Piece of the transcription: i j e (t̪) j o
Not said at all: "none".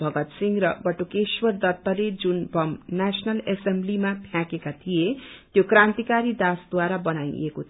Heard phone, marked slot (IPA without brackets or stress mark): t̪